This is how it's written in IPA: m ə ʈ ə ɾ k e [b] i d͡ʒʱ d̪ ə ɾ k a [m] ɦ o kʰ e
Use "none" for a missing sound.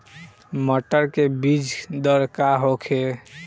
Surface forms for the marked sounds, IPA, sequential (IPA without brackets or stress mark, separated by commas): b, none